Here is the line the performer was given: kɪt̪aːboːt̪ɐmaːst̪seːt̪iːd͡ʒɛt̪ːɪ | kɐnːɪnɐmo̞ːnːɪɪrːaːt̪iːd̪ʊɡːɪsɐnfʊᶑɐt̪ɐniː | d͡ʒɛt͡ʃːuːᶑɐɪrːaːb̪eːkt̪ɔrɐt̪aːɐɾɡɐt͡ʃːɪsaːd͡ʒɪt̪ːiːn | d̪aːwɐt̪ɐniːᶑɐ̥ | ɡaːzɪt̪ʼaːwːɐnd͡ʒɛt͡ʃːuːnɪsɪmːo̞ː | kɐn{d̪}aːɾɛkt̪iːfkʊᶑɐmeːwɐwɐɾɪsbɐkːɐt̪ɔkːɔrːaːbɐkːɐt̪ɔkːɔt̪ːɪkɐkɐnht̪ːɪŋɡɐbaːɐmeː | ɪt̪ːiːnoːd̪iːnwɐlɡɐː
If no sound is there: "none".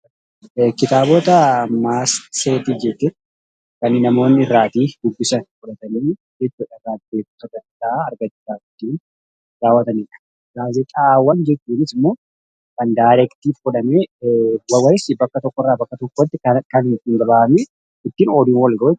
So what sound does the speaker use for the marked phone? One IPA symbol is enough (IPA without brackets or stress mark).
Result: d̪